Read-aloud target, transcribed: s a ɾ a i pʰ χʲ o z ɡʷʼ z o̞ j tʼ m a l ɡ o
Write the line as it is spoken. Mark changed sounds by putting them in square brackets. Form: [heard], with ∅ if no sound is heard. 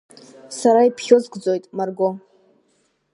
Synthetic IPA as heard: s a ɾ a i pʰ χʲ o z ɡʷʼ [d͡z] o̞ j tʼ m a [r] ɡ o